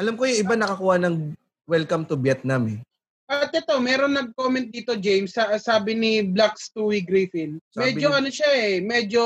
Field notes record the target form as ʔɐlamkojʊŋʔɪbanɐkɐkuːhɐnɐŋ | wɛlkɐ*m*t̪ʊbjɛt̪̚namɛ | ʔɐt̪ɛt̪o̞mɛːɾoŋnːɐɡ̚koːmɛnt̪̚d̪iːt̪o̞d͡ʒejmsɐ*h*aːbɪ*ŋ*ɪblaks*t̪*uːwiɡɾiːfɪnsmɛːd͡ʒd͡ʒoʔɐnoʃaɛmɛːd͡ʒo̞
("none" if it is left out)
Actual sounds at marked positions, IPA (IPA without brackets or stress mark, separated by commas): m, s, n, t̪